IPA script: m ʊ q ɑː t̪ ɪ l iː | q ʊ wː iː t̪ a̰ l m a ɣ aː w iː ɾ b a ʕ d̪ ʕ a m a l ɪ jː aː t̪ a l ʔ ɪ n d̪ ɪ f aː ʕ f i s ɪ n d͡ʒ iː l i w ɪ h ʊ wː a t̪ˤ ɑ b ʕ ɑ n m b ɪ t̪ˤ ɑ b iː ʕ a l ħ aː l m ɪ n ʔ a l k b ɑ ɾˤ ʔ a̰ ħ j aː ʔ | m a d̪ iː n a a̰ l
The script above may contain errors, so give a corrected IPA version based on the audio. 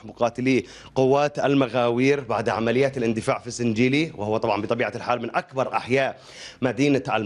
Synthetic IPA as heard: m ʊ q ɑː t̪ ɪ l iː | q ʊ wː aː t̪ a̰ l m a ɣ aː w iː ɾ b a ʕ d̪ ʕ a m a l ɪ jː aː t̪ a l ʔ ɪ n d̪ ɪ f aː ʕ f i s ɪ n d͡ʒ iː l i w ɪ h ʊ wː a t̪ˤ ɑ b ʕ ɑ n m b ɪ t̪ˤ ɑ b iː ʕ a l ħ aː l m ɪ n ʔ a k b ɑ ɾˤ ʔ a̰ ħ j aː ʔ | m a d̪ iː n a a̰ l